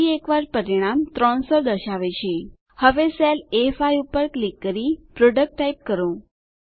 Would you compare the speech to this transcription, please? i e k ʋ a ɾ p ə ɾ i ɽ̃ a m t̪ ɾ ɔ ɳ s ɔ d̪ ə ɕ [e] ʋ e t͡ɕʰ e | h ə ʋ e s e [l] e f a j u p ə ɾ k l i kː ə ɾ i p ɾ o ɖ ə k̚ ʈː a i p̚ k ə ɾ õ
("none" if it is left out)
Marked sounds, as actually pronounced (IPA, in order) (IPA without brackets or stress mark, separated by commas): a, l